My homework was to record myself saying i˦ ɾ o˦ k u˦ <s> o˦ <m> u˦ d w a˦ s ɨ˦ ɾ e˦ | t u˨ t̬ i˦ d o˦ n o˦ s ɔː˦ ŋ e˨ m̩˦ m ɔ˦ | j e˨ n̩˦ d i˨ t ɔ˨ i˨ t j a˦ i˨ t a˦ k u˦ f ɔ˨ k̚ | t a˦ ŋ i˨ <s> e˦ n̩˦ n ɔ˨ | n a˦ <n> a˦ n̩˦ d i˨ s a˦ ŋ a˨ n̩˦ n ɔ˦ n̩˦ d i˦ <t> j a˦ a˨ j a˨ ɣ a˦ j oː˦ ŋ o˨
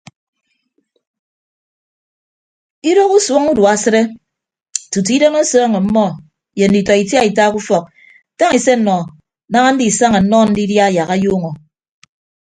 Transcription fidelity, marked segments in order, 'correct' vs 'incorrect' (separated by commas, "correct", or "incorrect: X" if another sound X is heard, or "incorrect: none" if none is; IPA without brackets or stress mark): correct, incorrect: ŋ, correct, incorrect: ŋ, incorrect: d